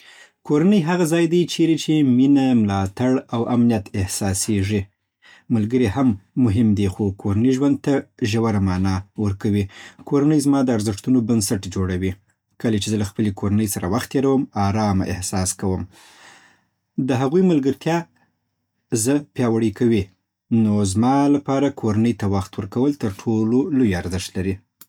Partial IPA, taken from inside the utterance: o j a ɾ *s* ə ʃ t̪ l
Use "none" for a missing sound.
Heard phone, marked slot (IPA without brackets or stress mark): z